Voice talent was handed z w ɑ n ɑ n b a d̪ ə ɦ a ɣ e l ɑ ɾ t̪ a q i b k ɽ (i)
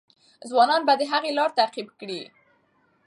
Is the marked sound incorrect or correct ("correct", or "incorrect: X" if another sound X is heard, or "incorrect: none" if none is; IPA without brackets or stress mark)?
correct